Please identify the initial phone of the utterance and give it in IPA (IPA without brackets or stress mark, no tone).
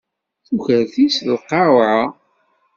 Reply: θ